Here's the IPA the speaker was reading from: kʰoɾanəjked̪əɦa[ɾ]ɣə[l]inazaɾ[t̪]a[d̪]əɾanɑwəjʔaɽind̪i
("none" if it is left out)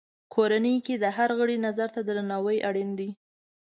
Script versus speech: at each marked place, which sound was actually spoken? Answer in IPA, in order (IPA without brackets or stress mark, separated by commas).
ɾ, ɽ, t̪, d̪